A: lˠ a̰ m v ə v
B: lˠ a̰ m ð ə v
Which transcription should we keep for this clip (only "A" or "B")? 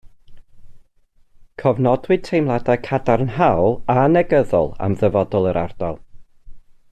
B